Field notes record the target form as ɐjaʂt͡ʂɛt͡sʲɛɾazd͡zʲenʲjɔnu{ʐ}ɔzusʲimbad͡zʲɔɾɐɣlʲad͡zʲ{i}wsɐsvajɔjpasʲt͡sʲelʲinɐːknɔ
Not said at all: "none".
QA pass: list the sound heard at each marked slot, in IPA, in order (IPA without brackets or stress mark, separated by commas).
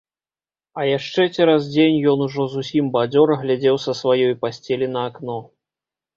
ʐ, ɛ